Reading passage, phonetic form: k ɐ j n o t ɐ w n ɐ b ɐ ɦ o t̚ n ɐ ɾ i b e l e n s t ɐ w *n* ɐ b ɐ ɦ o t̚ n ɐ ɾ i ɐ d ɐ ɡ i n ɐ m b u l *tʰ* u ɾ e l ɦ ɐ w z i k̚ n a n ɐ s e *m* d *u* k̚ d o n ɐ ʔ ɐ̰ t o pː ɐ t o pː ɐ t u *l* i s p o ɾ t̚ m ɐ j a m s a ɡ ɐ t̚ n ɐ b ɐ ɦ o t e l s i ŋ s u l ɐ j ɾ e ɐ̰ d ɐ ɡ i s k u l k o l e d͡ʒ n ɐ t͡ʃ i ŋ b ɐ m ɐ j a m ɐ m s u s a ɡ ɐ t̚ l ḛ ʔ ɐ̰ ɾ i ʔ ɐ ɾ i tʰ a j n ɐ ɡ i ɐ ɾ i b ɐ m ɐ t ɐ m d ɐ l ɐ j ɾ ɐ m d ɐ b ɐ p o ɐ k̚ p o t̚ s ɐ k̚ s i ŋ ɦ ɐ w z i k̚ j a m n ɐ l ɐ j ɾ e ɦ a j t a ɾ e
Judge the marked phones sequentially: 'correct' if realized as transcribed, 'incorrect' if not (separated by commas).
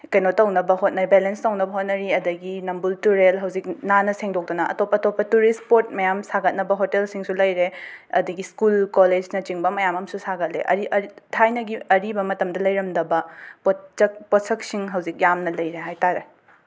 correct, incorrect, incorrect, incorrect, incorrect